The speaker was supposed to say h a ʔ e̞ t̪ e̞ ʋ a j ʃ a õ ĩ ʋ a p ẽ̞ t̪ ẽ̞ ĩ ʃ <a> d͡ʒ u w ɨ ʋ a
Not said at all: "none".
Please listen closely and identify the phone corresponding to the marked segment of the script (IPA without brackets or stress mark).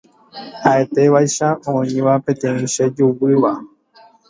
e